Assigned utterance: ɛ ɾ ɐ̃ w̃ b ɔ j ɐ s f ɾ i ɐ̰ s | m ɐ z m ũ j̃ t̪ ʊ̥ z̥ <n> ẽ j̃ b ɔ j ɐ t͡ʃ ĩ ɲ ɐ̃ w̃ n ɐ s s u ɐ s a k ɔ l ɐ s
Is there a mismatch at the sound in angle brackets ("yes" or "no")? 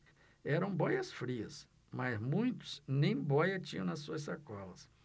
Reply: no